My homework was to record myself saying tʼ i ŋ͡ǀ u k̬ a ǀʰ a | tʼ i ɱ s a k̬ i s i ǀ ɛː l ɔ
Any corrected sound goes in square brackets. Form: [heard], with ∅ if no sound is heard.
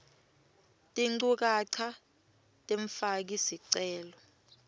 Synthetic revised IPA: tʼ i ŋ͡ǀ u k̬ a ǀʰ a | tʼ [e] ɱ [f] a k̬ i s i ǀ ɛː l ɔ

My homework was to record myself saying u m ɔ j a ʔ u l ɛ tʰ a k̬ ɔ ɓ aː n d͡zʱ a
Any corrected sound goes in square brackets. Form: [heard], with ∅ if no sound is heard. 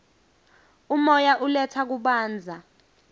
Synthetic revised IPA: u m ɔ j a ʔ u l ɛ tʰ a k̬ [u] ɓ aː n d͡zʱ a

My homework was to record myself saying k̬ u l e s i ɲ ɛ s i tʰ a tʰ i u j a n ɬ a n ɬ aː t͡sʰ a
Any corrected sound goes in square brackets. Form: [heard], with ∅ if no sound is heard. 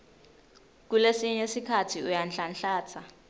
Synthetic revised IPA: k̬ u l e s i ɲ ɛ s i [kʰ] a tʰ i u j a n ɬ a n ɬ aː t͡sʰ a

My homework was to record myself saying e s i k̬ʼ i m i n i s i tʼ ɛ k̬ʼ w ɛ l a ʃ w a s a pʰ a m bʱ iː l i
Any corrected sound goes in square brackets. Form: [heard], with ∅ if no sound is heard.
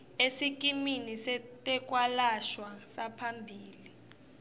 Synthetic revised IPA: e s i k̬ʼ i m i n i s [ɛ] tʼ ɛ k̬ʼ w [a] l a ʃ w a s a pʰ a m bʱ iː l i

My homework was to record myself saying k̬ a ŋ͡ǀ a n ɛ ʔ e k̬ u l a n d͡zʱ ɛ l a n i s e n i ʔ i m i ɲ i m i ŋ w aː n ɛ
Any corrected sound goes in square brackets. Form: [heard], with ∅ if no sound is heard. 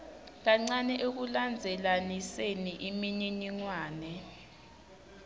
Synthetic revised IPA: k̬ a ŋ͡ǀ a n ɛ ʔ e k̬ u l a n d͡zʱ ɛ l a n i s e n i ʔ i m i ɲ i [ɲ] i ŋ w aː n ɛ

